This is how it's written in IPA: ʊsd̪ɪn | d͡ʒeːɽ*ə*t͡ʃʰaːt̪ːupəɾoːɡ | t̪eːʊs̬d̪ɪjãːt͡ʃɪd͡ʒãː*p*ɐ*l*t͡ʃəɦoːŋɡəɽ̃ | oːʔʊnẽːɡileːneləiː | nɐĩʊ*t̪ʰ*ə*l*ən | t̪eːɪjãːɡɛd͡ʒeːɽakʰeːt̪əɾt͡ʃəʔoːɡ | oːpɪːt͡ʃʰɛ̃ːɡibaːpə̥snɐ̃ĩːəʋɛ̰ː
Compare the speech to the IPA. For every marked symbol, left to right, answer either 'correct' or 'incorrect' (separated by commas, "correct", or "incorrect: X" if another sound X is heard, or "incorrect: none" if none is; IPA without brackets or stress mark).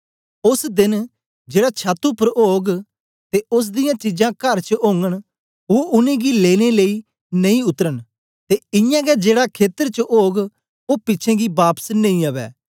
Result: incorrect: a, incorrect: k, incorrect: ɾ, incorrect: t̪, incorrect: ɾ